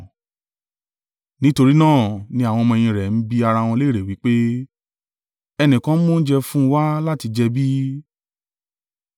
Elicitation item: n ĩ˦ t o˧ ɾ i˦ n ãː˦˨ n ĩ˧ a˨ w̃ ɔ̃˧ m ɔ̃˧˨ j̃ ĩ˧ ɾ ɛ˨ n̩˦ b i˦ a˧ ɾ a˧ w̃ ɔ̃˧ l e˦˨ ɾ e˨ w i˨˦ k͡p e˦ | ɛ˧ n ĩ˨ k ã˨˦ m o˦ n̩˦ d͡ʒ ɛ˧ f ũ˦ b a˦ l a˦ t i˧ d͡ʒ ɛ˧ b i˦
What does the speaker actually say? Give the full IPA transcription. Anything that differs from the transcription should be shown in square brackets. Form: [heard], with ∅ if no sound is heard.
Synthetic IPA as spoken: n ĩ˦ t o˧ ɾ i˦ n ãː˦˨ n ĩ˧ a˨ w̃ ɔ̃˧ m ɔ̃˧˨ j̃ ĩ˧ ɾ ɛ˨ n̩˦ b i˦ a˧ ɾ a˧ w̃ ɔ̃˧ l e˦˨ ɾ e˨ w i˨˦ k͡p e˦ | ɛ˧ n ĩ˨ k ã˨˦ m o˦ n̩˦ d͡ʒ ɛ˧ f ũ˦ [w] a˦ l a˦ t i˧ d͡ʒ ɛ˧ b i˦